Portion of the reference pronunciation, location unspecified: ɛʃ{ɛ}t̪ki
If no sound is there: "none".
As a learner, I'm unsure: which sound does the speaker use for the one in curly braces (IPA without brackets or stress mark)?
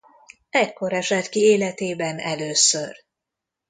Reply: ɛ